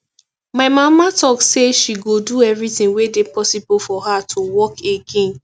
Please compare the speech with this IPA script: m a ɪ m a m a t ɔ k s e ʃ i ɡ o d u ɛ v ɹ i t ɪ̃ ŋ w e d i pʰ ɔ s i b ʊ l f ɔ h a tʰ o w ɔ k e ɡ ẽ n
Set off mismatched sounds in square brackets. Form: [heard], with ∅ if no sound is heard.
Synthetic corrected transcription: m a ɪ m a m a t ɔ k s e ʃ i ɡ o d u ɛ v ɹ i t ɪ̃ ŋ w e d [e] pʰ ɔ s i b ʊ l f ɔ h a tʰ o w ɔ k e ɡ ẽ n